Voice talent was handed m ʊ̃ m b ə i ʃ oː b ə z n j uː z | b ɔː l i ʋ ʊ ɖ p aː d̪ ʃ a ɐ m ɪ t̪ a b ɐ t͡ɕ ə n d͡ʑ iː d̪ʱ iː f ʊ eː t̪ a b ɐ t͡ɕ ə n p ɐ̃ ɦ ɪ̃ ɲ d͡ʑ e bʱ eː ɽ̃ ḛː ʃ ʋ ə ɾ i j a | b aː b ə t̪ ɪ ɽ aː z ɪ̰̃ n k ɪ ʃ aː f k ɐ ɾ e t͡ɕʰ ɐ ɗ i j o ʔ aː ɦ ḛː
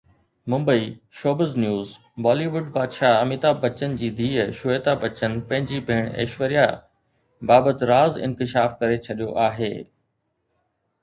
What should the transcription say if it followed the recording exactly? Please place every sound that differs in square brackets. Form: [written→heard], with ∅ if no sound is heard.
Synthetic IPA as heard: m ʊ̃ m b ə i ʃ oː b ə z n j uː z | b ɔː l i ʋ ʊ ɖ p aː d̪ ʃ a ɐ m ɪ t̪ a b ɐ t͡ɕ ə n d͡ʑ iː d̪ʱ iː [f→ʃ] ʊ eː t̪ a b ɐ t͡ɕ ə n p ɐ̃ ɦ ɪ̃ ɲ d͡ʑ [e→i] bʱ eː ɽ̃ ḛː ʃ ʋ ə ɾ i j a | b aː b ə t̪ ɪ [ɽ→ɾ] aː z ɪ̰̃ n k ɪ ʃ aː f k ɐ ɾ e t͡ɕʰ ɐ ɗ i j o ʔ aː ɦ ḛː